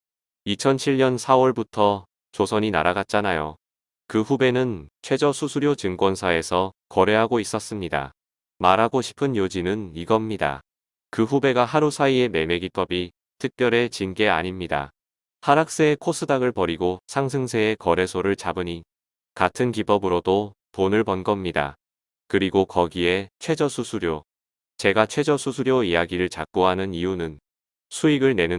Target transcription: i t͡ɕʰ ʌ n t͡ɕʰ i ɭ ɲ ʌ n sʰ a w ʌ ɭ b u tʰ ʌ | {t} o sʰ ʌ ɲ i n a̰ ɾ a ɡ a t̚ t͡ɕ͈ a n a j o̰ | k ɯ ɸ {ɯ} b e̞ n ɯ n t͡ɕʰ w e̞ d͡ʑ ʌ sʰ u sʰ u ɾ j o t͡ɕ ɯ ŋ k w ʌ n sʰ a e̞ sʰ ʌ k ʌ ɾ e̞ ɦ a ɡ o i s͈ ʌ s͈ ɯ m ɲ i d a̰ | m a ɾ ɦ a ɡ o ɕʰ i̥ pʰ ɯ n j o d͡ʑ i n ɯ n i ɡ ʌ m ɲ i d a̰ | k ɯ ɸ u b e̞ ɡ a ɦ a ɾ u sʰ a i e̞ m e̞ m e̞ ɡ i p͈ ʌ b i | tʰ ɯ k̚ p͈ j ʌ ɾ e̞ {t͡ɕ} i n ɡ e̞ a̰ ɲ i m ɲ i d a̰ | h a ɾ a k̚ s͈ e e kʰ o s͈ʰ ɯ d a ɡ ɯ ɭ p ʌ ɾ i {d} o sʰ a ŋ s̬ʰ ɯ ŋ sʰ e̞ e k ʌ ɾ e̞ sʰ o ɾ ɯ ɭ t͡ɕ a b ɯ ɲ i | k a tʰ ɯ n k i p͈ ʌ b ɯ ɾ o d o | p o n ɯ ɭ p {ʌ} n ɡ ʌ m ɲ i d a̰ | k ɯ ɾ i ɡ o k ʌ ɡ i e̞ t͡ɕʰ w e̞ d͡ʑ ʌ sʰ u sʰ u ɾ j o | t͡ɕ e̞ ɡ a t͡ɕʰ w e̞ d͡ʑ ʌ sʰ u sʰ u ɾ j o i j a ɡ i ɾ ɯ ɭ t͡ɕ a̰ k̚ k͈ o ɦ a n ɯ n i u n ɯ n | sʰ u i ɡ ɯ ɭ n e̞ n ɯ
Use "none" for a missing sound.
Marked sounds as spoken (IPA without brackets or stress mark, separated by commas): t͡ɕ, u, t͡ɕ, ɡ, ʌ